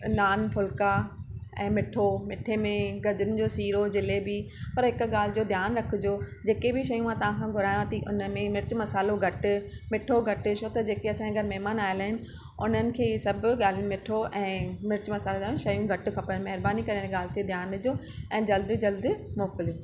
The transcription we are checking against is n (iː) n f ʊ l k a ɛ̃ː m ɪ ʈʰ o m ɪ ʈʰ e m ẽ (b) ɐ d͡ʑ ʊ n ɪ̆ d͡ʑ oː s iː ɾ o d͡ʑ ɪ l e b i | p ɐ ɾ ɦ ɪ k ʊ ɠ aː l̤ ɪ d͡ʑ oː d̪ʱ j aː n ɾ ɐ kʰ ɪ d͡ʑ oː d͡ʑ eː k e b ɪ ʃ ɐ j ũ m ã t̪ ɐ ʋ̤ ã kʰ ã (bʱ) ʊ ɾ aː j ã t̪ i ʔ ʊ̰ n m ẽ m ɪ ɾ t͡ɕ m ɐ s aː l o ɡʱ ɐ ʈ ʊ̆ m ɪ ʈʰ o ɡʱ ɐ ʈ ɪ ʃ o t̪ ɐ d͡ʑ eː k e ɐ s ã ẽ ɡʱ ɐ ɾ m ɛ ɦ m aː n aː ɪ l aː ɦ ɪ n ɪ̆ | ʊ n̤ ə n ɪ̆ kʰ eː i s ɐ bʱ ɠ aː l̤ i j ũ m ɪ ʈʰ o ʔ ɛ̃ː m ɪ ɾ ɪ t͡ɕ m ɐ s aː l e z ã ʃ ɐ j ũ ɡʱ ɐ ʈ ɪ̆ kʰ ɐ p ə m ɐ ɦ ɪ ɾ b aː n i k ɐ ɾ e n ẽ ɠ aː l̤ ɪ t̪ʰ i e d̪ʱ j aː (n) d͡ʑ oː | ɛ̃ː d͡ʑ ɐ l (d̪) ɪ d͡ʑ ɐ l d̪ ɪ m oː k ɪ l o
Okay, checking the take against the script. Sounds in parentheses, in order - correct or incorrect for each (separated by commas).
incorrect, incorrect, incorrect, correct, correct